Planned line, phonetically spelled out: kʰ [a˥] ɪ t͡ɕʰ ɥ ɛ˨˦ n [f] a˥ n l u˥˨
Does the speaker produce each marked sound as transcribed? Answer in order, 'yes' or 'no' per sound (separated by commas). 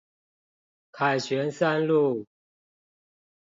no, no